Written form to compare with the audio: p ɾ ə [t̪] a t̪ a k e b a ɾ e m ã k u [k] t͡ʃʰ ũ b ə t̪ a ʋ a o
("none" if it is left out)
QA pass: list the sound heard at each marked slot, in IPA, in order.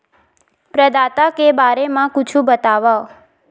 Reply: d̪, none

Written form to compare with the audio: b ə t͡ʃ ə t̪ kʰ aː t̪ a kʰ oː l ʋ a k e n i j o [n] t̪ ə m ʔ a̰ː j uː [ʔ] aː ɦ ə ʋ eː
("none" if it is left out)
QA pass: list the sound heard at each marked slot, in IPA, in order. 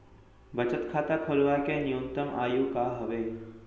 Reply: n, k

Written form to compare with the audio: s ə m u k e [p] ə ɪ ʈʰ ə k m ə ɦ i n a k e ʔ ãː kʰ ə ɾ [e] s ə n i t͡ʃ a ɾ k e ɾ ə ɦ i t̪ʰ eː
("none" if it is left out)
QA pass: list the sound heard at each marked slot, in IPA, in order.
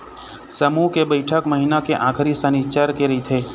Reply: b, i

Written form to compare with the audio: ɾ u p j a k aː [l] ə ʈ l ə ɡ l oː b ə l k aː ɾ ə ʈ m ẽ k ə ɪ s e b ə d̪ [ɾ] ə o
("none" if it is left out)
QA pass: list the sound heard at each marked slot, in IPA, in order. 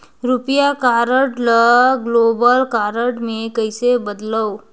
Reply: ɾ, l

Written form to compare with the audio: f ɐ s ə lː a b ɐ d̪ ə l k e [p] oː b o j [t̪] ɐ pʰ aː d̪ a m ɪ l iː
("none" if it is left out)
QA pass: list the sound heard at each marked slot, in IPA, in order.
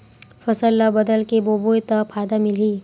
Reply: b, t̪

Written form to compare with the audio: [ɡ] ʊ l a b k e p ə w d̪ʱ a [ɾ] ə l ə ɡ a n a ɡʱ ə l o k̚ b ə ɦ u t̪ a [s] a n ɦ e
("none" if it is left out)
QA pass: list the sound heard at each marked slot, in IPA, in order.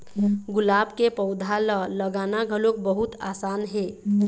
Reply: ɡ, l, s

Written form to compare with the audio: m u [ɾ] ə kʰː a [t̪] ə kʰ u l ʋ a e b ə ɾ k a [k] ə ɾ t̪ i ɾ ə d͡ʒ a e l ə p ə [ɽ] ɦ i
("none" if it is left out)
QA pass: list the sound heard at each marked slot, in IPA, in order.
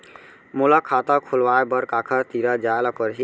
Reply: l, t̪, kʰ, ɾ

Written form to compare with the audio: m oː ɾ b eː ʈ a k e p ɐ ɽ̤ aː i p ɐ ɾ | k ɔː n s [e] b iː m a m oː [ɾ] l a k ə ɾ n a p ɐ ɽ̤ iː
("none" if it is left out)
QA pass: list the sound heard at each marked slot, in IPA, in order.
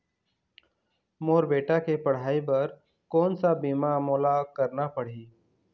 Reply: a, none

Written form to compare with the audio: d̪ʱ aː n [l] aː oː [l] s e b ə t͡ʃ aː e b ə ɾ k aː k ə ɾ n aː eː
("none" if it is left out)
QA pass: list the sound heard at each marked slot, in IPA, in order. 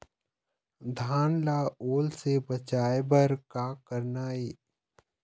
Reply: l, l

